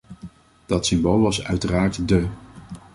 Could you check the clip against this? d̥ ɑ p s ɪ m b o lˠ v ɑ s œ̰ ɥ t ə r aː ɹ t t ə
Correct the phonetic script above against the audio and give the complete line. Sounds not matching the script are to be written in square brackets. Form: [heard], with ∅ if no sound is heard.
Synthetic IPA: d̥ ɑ [t] s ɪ m b o lˠ [ʋ] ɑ s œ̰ ɥ t ə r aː ɹ t [d] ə